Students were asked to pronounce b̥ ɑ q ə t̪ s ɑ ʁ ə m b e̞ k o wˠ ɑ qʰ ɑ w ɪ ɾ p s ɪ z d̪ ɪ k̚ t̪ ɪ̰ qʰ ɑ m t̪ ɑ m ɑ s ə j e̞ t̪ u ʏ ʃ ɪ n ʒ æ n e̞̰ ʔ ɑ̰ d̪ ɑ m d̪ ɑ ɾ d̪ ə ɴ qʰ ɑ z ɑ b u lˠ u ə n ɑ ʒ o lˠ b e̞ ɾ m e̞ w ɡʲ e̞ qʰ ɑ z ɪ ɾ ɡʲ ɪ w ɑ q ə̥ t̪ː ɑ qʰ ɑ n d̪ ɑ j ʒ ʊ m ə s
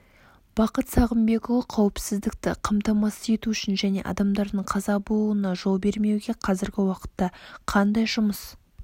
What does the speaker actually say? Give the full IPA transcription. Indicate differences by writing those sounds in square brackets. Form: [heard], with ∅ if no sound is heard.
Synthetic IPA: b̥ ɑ q ə t̪ s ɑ ʁ ə m b e̞ k o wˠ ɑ qʰ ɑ w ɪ [∅] p s ɪ z d̪ ɪ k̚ t̪ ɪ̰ qʰ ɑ m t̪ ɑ m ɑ s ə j e̞ t̪ u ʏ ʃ ɪ n ʒ æ n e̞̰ ʔ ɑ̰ d̪ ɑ m d̪ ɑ ɾ d̪ ə ɴ qʰ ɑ z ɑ b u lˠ u ə n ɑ ʒ o lˠ b e̞ ɾ m e̞ w ɡʲ e̞ qʰ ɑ z ɪ ɾ ɡʲ ɪ w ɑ q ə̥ t̪ː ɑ qʰ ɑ n d̪ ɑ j ʒ ʊ m ə s

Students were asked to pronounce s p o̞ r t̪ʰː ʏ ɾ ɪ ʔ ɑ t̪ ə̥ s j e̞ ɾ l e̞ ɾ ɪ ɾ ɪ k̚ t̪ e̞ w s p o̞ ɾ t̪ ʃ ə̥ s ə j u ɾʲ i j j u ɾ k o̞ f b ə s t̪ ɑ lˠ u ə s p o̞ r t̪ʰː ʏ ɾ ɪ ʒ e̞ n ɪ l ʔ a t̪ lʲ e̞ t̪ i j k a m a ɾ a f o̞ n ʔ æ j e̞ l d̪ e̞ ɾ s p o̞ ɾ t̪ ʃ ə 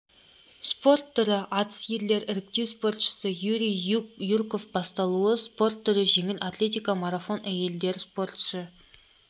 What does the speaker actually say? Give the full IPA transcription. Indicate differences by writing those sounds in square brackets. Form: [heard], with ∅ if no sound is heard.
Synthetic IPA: s p o̞ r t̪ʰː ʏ ɾ ɪ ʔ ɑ t̪ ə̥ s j e̞ ɾ l e̞ ɾ ɪ ɾ ɪ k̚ t̪ e̞ w s p o̞ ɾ t̪ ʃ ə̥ s ə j u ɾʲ i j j u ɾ k o̞ f b [ɑ] s t̪ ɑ lˠ u ə s p o̞ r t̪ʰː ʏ ɾ ɪ ʒ e̞ [ŋ] ɪ l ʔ a t̪ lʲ e̞ t̪ i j k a m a ɾ a f o̞ n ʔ æ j e̞ l d̪ e̞ ɾ s p o̞ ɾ t̪ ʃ ə

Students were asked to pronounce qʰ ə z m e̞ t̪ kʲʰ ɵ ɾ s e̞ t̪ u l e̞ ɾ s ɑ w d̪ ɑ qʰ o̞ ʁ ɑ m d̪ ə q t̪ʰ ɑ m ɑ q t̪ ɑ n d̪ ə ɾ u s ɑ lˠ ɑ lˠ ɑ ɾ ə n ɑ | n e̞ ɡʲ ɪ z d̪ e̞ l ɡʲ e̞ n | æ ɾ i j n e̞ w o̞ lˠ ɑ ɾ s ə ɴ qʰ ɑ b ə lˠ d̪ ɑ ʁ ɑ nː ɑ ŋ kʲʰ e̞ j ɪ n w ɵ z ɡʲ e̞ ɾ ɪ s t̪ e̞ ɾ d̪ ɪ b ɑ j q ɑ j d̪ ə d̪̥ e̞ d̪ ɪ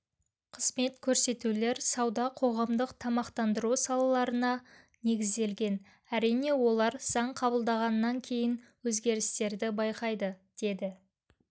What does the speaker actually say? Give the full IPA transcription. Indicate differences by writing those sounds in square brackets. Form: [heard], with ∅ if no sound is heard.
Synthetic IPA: qʰ ə z m e̞ t̪ kʲʰ ɵ ɾ s e̞ t̪ u l e̞ ɾ s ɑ w d̪ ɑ qʰ o̞ ʁ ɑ m d̪ ə q t̪ʰ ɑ m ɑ q t̪ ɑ n d̪ ə ɾ u s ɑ lˠ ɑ lˠ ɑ ɾ ə n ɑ | n e̞ ɡʲ ɪ z d̪ e̞ l ɡʲ e̞ n | æ ɾ i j n e̞ w o̞ lˠ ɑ ɾ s [ɑ] ɴ qʰ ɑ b ə lˠ d̪ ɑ ʁ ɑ nː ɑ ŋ kʲʰ e̞ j ɪ n w ɵ z ɡʲ e̞ ɾ ɪ s t̪ e̞ ɾ d̪ ɪ b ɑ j q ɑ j d̪ ə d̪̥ e̞ d̪ ɪ

